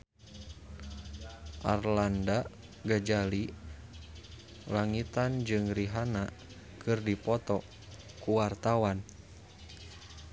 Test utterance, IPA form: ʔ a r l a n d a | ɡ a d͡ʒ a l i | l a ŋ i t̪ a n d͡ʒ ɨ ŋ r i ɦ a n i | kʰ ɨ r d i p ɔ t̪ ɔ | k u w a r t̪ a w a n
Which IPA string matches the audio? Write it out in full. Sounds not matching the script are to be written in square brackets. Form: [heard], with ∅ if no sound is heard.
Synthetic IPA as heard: ʔ a r l a n d a | ɡ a d͡ʒ a l i | l a ŋ i t̪ a n d͡ʒ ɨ ŋ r i ɦ a n [a] | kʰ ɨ r d i p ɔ t̪ ɔ | k u w a r t̪ a w a n